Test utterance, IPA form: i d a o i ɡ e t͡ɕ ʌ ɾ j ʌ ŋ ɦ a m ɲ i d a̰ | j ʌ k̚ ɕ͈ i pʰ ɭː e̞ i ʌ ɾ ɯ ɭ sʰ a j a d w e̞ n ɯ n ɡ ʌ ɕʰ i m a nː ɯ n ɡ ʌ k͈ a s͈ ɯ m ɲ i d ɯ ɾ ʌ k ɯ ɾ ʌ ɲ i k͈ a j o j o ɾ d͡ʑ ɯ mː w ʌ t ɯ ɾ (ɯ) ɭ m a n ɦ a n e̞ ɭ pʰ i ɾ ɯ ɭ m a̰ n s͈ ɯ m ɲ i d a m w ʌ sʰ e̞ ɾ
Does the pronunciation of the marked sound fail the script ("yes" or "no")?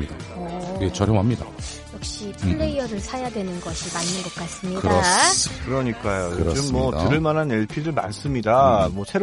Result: no